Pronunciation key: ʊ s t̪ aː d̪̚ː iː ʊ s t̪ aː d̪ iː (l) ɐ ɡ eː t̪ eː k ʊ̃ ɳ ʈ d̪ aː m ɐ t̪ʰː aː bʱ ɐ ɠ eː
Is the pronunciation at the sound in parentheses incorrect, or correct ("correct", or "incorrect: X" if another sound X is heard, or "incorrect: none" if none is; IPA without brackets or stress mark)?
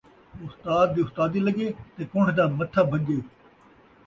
correct